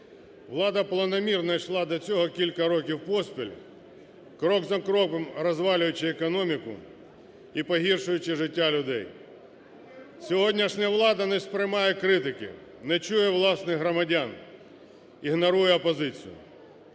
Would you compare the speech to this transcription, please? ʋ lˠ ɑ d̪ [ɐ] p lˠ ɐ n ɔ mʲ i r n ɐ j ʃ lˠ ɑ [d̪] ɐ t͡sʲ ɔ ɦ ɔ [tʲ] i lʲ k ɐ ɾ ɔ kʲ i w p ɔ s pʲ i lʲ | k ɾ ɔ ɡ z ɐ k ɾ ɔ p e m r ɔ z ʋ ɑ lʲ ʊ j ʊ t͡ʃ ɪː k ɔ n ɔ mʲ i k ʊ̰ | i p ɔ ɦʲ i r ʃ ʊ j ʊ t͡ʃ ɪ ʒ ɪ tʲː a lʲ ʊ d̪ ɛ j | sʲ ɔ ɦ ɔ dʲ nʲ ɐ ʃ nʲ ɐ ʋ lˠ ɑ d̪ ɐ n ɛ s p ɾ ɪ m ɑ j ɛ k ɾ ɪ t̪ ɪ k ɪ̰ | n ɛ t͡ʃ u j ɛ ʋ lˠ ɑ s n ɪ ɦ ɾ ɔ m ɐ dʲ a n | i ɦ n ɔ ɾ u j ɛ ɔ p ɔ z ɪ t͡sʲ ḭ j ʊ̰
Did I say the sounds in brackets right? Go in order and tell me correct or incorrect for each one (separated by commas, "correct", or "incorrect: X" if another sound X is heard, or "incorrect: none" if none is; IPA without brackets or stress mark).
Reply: correct, correct, incorrect: kʲ